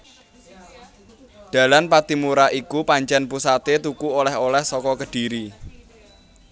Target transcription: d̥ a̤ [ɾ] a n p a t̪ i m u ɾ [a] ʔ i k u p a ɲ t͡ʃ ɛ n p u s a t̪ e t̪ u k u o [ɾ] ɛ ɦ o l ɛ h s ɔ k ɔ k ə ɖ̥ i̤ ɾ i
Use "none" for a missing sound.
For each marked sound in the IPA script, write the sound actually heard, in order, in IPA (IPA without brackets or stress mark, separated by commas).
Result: l, a, l